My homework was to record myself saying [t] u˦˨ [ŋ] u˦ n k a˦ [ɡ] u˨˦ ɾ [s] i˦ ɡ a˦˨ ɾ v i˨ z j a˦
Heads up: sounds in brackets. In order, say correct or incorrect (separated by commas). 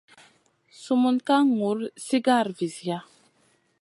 incorrect, incorrect, incorrect, correct